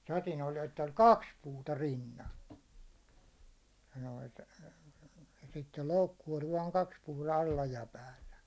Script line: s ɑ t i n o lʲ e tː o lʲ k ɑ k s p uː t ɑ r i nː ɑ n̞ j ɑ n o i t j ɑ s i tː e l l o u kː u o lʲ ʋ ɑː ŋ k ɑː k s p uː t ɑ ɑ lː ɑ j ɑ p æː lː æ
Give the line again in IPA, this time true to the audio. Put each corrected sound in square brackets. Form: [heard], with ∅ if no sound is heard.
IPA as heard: s ɑ t i n o lʲ e tː o lʲ k ɑ k s p uː t ɑ r i nː ɑ n̞ j ɑ n o i t j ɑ s i tː e l l o u kː u o lʲ ʋ ɑː ŋ k [ɑ] k s p uː t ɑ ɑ lː ɑ j ɑ p æː lː æ